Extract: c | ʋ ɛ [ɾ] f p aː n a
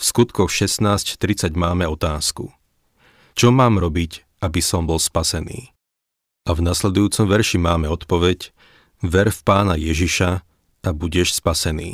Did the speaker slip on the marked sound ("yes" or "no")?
no